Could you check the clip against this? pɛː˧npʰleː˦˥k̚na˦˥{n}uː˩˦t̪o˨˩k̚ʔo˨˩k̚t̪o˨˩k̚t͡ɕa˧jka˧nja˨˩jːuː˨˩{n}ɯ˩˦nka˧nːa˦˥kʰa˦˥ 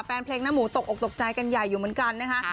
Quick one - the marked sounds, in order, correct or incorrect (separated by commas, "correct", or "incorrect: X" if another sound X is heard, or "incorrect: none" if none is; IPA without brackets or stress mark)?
incorrect: m, incorrect: m